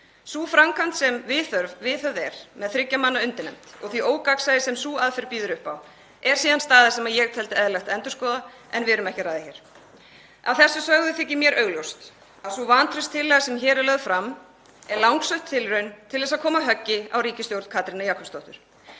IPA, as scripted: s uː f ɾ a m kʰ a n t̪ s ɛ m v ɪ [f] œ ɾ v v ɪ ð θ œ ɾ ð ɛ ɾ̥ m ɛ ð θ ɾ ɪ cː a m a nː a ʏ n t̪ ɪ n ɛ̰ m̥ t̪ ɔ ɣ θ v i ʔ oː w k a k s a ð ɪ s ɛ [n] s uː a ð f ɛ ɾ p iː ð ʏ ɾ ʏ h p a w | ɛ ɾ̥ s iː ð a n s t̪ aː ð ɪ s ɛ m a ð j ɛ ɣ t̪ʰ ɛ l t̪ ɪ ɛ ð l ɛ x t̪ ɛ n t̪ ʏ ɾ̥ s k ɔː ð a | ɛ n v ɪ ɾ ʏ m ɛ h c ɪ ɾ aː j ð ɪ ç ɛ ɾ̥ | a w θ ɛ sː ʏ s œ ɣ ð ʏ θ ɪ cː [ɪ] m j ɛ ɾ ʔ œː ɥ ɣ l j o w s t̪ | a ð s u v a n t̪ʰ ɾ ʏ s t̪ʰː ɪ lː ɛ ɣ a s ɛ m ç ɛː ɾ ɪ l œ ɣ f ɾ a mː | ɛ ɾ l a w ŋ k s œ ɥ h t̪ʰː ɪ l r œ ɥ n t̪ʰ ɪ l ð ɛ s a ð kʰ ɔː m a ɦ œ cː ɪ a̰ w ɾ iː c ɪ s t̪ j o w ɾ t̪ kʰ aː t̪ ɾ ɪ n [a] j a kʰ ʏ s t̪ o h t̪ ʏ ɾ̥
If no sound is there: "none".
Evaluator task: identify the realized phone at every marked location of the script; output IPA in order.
θ, m, ɪ, a

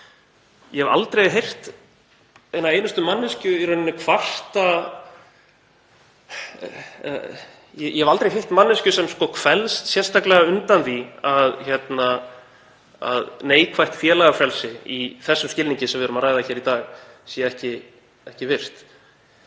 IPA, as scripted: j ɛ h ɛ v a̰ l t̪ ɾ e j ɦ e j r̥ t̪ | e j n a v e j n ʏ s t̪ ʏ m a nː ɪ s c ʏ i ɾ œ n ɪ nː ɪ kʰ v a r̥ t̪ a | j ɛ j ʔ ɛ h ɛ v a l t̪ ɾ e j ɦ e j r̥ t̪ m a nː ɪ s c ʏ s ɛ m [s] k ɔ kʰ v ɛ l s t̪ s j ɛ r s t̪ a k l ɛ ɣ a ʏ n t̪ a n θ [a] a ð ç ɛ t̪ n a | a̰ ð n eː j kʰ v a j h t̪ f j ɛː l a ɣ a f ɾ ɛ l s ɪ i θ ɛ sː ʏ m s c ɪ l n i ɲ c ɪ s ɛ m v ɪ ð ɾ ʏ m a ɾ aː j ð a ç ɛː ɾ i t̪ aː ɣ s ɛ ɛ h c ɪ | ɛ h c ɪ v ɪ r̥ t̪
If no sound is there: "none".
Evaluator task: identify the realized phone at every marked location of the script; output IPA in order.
s, i

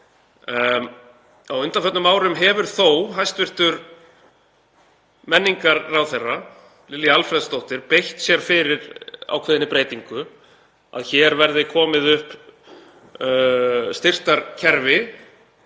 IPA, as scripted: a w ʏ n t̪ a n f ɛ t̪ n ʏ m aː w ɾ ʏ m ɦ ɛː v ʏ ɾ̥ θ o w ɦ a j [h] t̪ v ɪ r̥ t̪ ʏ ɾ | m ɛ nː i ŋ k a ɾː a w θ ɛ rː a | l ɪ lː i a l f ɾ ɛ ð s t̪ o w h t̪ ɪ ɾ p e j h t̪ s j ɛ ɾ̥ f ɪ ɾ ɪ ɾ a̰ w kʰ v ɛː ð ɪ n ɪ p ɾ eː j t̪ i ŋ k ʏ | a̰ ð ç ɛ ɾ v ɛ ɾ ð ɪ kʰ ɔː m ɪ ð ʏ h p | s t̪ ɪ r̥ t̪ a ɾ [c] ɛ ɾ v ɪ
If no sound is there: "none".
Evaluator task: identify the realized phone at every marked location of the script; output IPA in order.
s, cʰ

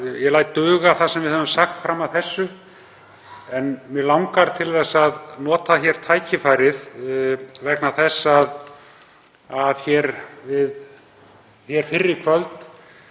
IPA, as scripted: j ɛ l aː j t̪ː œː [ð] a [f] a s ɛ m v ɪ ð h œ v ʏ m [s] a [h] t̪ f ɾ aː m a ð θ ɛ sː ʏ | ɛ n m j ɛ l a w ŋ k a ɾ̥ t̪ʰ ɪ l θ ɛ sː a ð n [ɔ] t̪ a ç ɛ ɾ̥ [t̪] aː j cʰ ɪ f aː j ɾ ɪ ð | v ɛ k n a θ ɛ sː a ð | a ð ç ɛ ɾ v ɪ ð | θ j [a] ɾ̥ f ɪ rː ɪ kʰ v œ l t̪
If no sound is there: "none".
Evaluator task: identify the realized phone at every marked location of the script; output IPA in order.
ɣ, θ, s, x, ɔː, t̪ʰ, ɛ

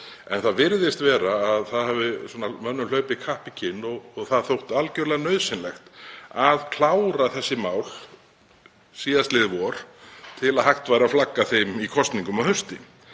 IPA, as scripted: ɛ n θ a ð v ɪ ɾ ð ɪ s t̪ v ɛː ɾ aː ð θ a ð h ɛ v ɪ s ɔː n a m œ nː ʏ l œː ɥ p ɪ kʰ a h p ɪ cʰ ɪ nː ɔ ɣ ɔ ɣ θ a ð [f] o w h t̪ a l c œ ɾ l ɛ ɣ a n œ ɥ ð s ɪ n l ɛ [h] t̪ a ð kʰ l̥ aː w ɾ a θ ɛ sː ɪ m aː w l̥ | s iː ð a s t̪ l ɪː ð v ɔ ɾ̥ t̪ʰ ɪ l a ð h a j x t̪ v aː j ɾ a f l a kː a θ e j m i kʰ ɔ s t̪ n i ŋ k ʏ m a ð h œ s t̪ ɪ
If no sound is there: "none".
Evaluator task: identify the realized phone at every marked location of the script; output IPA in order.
θ, x

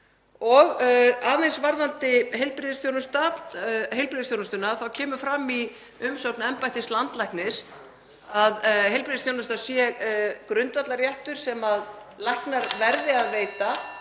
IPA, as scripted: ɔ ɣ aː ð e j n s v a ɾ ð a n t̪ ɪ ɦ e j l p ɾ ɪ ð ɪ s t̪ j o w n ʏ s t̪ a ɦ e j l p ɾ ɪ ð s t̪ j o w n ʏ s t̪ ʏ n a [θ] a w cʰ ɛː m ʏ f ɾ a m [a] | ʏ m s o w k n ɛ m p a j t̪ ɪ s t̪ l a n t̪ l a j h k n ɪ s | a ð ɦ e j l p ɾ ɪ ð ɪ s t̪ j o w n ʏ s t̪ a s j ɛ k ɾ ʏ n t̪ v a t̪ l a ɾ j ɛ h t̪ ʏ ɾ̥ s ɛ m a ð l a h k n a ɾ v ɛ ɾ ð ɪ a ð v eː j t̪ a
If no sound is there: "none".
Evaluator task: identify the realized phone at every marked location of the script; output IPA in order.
θ, i

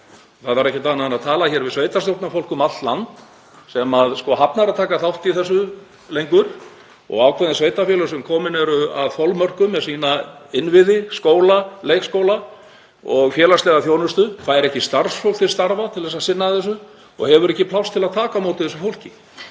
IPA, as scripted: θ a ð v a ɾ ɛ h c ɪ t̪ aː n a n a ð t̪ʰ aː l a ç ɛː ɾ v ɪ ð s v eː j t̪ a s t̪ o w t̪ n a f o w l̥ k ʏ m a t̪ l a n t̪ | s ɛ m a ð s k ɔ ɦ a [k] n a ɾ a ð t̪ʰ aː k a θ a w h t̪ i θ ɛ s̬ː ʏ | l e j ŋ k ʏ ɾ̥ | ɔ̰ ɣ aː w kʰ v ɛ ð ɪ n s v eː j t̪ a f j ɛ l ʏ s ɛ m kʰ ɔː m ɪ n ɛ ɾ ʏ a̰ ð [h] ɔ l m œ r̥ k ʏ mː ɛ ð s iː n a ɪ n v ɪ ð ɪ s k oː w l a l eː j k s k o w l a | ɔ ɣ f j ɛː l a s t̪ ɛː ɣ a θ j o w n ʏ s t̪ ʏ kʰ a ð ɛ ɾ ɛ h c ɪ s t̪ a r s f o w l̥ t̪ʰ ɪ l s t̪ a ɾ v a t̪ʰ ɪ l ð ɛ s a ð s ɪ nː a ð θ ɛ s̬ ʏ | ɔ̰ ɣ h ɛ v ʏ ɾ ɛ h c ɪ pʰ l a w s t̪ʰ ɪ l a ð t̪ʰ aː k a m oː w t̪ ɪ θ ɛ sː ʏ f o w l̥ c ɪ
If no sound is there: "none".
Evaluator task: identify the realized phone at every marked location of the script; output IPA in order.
p, f

